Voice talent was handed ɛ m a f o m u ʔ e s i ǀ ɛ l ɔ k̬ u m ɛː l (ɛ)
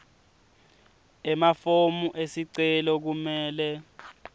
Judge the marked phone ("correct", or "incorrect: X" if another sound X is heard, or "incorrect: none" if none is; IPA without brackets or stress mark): correct